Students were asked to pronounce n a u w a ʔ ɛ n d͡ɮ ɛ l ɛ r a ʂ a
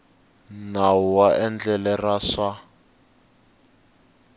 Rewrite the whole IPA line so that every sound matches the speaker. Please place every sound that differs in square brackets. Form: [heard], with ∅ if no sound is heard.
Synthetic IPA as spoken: n a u w a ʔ ɛ n d͡ɮ ɛ l ɛ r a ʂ a